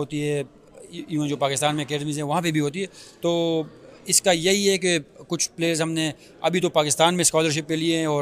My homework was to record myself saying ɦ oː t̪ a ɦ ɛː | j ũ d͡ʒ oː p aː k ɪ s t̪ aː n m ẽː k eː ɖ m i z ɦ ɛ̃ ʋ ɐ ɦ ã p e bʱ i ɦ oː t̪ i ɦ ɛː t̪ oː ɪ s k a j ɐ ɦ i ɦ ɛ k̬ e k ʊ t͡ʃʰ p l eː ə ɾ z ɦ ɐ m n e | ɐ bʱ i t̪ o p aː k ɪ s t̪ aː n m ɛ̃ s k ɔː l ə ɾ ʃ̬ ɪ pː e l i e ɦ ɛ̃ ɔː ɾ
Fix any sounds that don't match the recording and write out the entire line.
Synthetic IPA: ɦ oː t̪ i ɦ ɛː | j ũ d͡ʒ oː p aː k ɪ s t̪ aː n m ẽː k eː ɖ m i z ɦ ɛ̃ ʋ ɐ ɦ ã p e bʱ i ɦ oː t̪ i ɦ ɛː t̪ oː ɪ s k a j ɐ ɦ i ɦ ɛ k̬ e k ʊ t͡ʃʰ p l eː ə ɾ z ɦ ɐ m n e | ɐ bʱ i t̪ o p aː k ɪ s t̪ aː n m ẽ s k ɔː l ə ɾ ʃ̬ ɪ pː e l i e ɦ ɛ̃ ɔː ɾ